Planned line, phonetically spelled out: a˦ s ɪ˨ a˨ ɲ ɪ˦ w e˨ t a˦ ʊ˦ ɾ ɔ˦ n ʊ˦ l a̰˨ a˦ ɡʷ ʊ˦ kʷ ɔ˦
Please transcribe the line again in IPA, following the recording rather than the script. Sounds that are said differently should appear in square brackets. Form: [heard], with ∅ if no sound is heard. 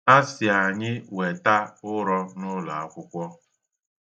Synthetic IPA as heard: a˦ s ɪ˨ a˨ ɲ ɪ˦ w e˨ t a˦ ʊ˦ ɾ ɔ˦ n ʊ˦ l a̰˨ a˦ [kʷ] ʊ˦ kʷ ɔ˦